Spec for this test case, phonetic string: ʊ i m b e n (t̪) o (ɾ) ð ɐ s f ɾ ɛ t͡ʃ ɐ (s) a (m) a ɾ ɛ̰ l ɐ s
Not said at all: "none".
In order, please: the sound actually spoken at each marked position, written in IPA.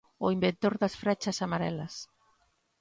t̪, ɾ, s, m

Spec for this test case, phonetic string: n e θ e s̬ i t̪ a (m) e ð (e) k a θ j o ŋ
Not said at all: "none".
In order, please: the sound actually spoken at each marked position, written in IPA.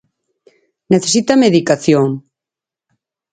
m, i

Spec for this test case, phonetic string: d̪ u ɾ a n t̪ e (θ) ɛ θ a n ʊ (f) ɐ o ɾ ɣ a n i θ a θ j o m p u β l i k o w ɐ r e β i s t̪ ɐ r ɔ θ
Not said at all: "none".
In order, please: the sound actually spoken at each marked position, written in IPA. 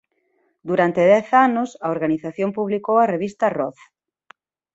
ð, s

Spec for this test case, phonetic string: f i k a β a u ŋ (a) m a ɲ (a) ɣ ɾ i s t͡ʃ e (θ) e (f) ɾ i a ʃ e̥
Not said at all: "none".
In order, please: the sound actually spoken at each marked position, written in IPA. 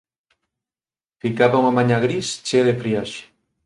a, a, ð, f

